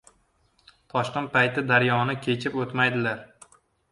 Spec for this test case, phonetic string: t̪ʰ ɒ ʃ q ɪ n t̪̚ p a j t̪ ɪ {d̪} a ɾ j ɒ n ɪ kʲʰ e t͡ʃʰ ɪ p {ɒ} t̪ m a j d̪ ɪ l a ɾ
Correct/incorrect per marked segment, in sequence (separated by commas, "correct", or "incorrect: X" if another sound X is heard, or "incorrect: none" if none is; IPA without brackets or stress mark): correct, incorrect: o